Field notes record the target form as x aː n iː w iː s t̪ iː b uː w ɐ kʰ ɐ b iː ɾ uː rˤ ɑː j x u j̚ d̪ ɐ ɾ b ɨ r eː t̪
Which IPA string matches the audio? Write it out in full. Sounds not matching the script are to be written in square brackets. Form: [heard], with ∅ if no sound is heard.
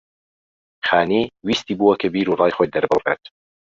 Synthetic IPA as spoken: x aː n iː w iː s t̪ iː b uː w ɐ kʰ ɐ b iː ɾ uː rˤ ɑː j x [o] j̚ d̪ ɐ ɾ b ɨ r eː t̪